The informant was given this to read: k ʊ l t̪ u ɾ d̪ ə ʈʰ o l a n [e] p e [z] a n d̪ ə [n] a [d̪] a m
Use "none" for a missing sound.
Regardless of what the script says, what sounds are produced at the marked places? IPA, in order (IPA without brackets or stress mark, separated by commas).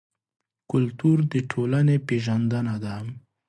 e, ʒ, n, d̪